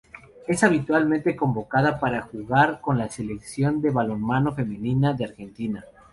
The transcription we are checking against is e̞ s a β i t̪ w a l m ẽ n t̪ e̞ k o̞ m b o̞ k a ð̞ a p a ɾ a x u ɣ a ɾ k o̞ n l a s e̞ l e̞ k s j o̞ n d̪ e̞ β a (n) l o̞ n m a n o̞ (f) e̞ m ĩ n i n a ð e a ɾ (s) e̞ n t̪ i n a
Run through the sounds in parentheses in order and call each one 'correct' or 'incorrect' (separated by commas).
incorrect, correct, incorrect